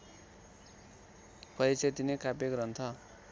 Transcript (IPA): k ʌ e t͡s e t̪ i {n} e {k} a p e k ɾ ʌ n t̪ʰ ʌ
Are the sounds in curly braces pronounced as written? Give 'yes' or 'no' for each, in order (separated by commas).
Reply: yes, yes